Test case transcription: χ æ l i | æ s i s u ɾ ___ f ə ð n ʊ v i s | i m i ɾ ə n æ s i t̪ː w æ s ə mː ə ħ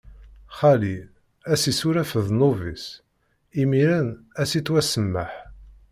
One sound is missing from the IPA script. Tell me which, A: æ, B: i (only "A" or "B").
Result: A